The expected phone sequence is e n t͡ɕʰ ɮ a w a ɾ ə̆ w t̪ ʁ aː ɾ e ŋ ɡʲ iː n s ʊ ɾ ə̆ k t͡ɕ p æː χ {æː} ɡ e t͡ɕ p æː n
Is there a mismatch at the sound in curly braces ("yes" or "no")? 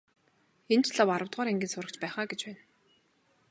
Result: yes